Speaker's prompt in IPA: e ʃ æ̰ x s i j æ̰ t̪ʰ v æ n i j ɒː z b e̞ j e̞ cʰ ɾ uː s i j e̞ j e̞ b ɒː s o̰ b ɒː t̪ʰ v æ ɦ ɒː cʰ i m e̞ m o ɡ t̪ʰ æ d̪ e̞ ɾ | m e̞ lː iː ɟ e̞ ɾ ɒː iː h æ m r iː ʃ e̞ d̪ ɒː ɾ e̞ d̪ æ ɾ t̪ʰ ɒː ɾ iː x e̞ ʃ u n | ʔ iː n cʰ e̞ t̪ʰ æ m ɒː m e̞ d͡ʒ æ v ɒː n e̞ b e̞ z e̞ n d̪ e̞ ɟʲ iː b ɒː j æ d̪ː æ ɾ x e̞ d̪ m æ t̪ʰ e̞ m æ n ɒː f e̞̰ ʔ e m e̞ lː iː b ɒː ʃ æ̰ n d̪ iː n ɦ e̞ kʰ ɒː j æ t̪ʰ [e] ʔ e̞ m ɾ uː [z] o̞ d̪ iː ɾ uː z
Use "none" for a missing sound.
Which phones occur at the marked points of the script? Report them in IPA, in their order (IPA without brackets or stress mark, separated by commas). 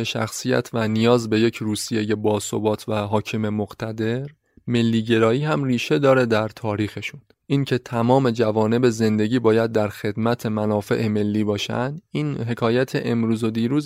e, z